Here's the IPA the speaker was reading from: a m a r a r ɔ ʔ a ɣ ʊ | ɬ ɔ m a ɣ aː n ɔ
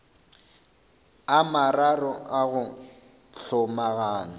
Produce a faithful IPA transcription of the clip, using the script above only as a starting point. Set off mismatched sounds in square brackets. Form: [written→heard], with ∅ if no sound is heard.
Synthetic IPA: a m a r a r ɔ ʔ a ɣ ʊ | ɬ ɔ m a ɣ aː n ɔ